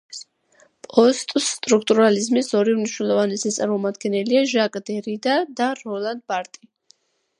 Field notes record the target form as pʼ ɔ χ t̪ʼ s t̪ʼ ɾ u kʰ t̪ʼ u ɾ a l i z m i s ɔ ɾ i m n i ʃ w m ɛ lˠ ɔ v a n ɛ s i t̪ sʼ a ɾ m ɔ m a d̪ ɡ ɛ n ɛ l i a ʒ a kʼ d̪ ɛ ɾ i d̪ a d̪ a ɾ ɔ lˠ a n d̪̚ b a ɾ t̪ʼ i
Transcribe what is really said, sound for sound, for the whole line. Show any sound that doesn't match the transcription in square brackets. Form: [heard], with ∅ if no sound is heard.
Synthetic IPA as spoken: pʼ ɔ [s] t̪ʼ s t̪ʼ ɾ u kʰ t̪ʼ u ɾ a l i z m i s ɔ ɾ i m n i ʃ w [n] ɛ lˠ ɔ v a n ɛ s i t̪ sʼ a ɾ m ɔ m a d̪ ɡ ɛ n ɛ l i a ʒ a kʼ d̪ ɛ ɾ i d̪ a d̪ a ɾ ɔ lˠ a n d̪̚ b a ɾ t̪ʼ i